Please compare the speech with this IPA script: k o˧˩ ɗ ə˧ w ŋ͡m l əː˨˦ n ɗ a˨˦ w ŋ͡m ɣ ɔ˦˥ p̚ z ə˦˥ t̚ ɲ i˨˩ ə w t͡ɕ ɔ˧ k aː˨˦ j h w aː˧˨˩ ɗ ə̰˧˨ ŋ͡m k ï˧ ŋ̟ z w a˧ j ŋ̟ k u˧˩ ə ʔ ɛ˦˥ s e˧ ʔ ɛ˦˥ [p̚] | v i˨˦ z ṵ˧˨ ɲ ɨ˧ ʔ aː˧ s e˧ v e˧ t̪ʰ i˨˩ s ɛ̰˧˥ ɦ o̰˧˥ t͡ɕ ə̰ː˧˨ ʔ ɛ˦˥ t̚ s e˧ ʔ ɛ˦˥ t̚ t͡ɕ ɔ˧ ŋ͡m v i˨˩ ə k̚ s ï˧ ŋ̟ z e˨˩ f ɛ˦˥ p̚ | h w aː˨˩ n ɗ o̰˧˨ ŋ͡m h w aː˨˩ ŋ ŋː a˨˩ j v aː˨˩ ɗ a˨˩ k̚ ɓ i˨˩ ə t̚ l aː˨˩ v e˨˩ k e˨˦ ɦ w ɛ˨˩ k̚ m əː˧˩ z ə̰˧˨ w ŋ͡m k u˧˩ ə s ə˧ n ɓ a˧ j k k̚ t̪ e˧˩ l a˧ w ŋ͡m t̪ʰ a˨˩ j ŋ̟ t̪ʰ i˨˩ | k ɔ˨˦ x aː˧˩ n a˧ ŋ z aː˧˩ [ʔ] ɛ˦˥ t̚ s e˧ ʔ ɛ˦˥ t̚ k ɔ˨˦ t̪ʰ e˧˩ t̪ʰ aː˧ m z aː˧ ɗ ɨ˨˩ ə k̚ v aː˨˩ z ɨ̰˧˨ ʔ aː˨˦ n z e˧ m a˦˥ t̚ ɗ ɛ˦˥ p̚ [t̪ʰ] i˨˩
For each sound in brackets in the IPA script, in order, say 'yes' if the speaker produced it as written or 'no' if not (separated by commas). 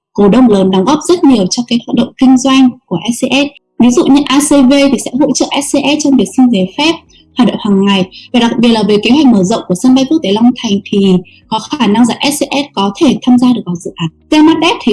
no, yes, yes